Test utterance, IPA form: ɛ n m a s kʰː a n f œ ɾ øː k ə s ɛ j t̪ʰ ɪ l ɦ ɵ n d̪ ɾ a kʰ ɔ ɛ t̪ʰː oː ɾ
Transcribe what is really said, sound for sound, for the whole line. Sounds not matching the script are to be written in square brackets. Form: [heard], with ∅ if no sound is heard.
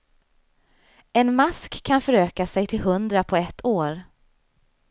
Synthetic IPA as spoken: ɛ n m a s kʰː a n f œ ɾ øː k [a] s ɛ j t̪ʰ ɪ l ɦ ɵ n d̪ ɾ a [pʰ] ɔ ɛ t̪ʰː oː ɾ

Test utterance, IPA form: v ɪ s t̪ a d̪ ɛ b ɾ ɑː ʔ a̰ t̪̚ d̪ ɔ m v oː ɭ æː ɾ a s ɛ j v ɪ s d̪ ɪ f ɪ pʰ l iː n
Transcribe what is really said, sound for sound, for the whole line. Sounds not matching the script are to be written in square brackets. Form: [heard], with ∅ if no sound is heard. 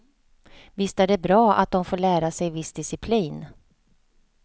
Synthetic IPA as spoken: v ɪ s t̪ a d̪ ɛ b ɾ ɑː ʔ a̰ t̪̚ d̪ ɔ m [f] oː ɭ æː ɾ a s ɛ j v ɪ s d̪ ɪ [s] ɪ pʰ l iː n

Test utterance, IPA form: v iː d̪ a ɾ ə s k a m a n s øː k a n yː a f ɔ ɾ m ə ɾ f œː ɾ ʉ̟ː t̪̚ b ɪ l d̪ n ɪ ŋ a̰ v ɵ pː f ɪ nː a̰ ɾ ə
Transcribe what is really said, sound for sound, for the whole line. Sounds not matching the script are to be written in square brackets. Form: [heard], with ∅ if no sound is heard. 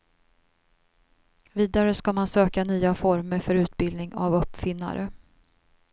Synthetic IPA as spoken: v iː d̪ a ɾ ə s k a m a n s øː k a n yː a f ɔ ɾ m ə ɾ f [œ] ɾ ʉ̟ː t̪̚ b ɪ l d̪ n ɪ ŋ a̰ v ɵ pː f ɪ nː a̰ ɾ ə

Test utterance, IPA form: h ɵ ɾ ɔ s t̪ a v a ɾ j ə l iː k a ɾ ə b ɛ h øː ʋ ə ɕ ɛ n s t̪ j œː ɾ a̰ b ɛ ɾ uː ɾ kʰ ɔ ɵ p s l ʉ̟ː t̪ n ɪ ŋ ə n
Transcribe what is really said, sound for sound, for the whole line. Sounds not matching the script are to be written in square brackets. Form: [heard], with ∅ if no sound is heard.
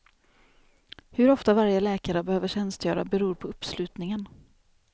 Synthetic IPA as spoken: h ɵ ɾ ɔ [f] t̪ a v a ɾ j ə l [ɛː] k a ɾ ə b ɛ h øː [v] ə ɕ ɛ n s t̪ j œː ɾ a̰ b ɛ ɾ uː ɾ [pʰ] ɔ ɵ p s l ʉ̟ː t̪ n ɪ ŋ ə n

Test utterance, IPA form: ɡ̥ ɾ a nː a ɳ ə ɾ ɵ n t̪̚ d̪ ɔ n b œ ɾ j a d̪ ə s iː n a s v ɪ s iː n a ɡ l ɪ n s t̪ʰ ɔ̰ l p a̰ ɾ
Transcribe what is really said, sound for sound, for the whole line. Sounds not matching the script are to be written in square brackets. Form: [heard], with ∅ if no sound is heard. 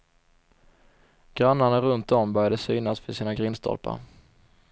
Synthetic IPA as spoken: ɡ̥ ɾ a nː a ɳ [a] ɾ ɵ n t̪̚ d̪ ɔ [m] b œ ɾ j a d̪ ə s [yː] n a s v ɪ s iː n a ɡ [ɾ] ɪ n s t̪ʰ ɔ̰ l p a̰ ɾ

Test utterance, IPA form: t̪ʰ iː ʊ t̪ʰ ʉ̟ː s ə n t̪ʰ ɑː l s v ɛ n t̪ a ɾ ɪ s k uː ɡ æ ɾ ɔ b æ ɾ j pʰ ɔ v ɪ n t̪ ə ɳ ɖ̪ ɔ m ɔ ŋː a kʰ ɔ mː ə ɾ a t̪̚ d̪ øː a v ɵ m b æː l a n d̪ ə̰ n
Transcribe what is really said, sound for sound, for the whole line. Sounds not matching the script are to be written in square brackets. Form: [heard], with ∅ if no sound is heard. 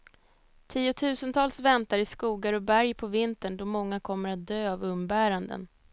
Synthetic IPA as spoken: t̪ʰ iː ʊ t̪ʰ ʉ̟ː s ə n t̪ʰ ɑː l s v ɛ n t̪ a ɾ ɪ s k uː ɡ [a] ɾ ɔ b æ ɾ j pʰ ɔ v ɪ n t̪ ə ɳ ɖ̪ ɔ m ɔ ŋː a kʰ ɔ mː ə ɾ a t̪̚ d̪ øː a v ɵ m b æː [ɾ] a n d̪ ə̰ n

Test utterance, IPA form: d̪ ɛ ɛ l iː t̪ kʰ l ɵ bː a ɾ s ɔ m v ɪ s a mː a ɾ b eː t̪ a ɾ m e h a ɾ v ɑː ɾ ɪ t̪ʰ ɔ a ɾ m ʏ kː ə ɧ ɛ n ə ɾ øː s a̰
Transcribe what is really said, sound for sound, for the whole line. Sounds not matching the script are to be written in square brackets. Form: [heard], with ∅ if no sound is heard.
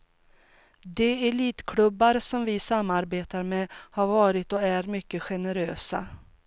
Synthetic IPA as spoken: d̪ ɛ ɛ l iː t̪ kʰ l ɵ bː a ɾ s ɔ m v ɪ s a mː a ɾ b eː t̪ a ɾ m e h a ɾ v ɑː ɾ ɪ [t̪] ɔ [æ] ɾ m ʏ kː ə ɧ ɛ n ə ɾ øː s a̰

